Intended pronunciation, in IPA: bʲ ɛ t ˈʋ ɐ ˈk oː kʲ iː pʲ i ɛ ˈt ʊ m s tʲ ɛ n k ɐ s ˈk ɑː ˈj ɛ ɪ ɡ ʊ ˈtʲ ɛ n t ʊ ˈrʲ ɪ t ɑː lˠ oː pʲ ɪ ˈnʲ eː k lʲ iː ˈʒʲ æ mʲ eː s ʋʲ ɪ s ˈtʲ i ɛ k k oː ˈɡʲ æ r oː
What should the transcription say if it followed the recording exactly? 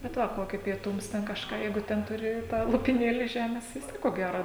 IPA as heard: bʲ ɛ t ˈʋ ɐ ˈk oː kʲ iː pʲ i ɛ ˈt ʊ m s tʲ ɛ n k ɐ ʃ ˈk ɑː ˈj ɛ ɪ ɡ ʊ ˈtʲ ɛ n t ʊ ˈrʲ ɪ t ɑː lˠ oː pʲ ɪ ˈnʲ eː lʲ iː ˈʒʲ æː mʲ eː s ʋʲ ɪ s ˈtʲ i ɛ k k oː ˈɡʲ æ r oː